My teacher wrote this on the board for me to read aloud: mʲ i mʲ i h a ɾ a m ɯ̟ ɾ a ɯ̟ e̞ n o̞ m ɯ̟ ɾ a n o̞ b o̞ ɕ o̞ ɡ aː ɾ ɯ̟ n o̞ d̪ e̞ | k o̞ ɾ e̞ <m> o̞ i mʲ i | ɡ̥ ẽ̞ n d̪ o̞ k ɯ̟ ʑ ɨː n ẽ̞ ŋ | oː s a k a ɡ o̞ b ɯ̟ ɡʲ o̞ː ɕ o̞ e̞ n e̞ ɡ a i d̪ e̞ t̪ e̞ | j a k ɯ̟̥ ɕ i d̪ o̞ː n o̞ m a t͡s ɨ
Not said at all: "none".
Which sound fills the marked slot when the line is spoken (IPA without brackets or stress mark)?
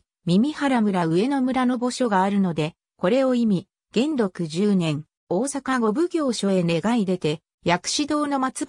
none